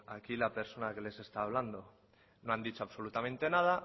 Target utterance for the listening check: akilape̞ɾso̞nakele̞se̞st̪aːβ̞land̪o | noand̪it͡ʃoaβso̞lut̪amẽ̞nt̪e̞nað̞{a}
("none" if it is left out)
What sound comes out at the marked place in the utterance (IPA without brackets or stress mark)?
a